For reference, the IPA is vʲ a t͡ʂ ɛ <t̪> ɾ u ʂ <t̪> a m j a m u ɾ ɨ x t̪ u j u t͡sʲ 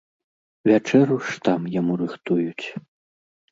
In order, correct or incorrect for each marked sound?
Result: incorrect: none, correct

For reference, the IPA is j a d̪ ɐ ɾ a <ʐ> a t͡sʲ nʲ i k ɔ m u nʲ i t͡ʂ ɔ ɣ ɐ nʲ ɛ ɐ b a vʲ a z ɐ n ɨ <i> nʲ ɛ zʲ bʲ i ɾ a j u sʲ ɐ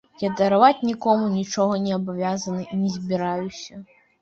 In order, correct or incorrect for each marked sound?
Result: incorrect: v, correct

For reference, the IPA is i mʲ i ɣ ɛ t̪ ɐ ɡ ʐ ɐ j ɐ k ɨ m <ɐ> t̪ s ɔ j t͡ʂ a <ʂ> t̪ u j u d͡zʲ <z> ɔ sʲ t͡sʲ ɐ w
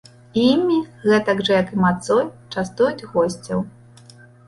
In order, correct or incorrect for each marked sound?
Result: incorrect: a, incorrect: s, incorrect: ɣ

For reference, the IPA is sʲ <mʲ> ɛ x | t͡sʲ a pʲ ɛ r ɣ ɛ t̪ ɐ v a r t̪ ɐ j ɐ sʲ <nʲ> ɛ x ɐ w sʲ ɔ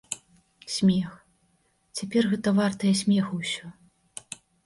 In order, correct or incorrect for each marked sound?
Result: correct, incorrect: mʲ

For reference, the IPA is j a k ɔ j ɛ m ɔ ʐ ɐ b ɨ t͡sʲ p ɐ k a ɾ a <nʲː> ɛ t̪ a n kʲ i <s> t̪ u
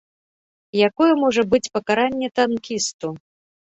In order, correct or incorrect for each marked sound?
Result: correct, correct

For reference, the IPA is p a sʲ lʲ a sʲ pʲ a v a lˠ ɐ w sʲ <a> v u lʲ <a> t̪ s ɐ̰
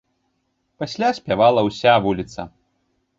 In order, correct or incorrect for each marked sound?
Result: correct, incorrect: i

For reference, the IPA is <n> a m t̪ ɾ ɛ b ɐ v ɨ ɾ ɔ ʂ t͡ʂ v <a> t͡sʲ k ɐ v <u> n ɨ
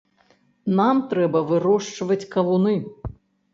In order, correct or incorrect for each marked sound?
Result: correct, incorrect: ɐ, correct

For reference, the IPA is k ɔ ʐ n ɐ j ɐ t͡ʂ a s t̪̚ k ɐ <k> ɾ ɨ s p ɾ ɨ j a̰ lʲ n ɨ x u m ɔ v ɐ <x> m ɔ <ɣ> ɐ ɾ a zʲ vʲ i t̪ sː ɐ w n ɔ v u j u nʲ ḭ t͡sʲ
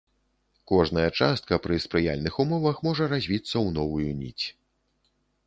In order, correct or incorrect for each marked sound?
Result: incorrect: p, correct, incorrect: ʐ

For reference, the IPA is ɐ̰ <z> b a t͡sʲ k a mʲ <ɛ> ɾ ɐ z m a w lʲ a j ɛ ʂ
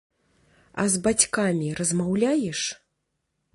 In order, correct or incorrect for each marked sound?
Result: correct, incorrect: i

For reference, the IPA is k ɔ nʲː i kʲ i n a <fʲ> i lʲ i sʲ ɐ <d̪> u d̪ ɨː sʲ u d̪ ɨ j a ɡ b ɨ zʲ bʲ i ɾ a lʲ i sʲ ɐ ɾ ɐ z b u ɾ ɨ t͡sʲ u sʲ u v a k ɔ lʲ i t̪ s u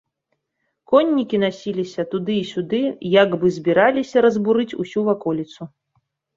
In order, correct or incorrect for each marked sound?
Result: incorrect: sʲ, incorrect: t̪

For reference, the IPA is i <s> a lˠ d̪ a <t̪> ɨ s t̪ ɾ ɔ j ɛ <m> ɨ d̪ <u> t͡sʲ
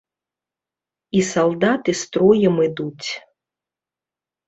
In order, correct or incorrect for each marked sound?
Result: correct, correct, correct, correct

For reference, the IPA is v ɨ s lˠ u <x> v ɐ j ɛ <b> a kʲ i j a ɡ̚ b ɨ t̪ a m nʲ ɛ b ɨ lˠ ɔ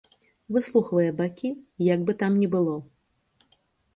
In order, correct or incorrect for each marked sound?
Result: correct, correct

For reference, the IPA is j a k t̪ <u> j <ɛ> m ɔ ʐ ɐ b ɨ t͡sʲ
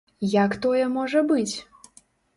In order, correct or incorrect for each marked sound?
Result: incorrect: ɔ, correct

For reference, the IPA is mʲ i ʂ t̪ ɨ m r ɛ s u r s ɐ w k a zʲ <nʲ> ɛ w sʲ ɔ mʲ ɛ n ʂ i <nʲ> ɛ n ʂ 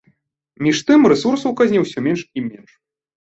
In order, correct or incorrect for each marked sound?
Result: correct, incorrect: mʲ

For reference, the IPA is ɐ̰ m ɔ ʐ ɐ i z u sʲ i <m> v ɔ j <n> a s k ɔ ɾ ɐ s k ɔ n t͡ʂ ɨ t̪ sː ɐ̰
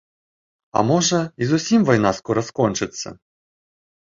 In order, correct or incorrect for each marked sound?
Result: correct, correct

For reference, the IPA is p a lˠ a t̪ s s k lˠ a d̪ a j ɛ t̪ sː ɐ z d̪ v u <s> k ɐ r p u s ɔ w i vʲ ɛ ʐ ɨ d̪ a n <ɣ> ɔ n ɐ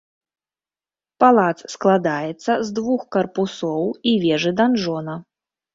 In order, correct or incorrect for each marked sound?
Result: incorrect: x, incorrect: ʐ

